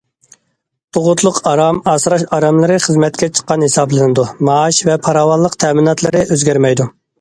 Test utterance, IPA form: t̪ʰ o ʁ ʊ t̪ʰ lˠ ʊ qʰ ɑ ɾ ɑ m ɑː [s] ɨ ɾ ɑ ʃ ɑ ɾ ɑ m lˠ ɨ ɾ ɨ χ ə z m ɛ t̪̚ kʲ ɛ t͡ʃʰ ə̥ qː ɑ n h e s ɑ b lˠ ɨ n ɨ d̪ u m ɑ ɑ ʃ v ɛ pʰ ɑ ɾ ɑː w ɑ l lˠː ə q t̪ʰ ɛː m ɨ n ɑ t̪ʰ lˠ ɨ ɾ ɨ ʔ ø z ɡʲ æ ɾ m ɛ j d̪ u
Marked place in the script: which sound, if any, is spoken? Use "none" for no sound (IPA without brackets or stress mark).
s